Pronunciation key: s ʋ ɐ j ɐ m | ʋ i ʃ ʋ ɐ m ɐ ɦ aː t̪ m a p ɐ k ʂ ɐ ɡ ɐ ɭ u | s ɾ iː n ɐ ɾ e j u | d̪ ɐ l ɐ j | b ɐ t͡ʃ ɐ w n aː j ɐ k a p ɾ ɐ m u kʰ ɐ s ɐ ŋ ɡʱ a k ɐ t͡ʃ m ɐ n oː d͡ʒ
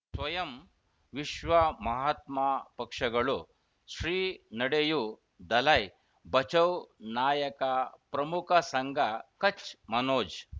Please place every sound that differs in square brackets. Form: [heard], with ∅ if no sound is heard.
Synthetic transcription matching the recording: s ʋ ɐ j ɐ m | ʋ i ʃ ʋ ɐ m ɐ ɦ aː t̪ m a p ɐ k ʂ ɐ ɡ ɐ ɭ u | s ɾ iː n ɐ [ɽ] e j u | d̪ ɐ l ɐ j | b ɐ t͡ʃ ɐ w n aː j ɐ k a p ɾ ɐ m u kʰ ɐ s ɐ ŋ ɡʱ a k ɐ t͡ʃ m ɐ n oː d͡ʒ